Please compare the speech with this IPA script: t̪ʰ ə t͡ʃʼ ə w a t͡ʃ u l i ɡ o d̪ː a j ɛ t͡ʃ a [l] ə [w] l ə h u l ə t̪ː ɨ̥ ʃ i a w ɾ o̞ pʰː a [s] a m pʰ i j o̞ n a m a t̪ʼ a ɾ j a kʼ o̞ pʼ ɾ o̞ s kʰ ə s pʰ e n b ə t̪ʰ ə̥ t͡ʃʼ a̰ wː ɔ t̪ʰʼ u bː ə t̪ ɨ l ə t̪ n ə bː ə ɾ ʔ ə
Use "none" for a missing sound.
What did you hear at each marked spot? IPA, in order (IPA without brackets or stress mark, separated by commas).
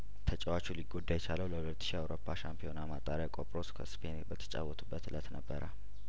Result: l, w, ʃ